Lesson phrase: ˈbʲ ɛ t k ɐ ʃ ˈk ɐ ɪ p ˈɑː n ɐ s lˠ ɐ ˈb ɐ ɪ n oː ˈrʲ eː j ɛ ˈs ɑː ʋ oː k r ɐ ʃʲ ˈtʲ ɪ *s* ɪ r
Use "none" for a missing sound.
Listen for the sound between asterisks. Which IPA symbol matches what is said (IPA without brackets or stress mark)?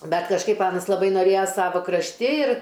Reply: none